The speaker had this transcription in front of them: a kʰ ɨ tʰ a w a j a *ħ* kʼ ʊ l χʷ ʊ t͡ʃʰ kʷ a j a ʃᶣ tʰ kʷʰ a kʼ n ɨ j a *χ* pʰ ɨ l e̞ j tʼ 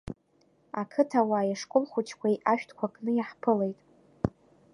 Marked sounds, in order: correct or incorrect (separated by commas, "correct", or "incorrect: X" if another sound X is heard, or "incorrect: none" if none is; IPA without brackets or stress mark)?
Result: incorrect: ʂ, incorrect: ħ